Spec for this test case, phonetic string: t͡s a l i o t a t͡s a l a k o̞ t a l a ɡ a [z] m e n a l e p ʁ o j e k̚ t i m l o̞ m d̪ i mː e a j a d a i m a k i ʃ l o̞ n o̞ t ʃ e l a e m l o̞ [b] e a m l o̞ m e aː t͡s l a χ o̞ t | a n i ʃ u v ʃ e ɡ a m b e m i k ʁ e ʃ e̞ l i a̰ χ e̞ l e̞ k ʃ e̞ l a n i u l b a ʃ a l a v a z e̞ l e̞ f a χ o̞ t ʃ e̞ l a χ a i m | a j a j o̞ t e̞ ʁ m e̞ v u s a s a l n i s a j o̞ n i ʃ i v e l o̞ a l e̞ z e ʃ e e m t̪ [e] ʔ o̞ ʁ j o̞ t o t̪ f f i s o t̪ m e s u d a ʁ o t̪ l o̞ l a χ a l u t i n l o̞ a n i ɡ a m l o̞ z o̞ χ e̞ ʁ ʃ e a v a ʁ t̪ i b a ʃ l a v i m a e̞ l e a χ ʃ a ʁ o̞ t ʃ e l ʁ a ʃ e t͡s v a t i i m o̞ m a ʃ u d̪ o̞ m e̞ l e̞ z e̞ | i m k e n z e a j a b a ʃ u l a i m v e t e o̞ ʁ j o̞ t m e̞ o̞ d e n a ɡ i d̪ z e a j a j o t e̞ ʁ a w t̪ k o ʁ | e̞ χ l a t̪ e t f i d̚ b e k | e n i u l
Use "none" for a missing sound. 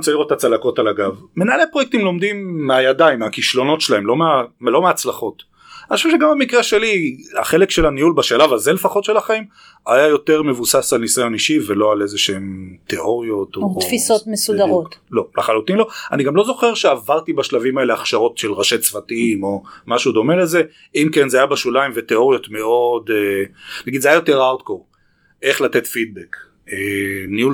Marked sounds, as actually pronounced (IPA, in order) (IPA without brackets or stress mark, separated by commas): v, m, e